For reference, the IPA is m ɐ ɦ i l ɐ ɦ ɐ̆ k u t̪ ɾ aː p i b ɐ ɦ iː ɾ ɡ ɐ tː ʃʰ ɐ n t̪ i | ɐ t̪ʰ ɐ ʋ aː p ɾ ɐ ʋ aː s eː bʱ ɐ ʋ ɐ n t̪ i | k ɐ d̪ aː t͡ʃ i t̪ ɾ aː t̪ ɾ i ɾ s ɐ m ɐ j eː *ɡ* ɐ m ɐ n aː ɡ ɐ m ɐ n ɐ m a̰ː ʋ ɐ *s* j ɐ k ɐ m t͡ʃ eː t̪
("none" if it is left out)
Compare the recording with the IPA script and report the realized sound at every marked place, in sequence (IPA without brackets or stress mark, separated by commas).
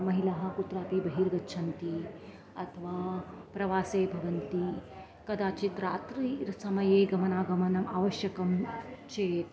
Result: ɡ, ʃ